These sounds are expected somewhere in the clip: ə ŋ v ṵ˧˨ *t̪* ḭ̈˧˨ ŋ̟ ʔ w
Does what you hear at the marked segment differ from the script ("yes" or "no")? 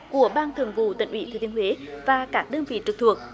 no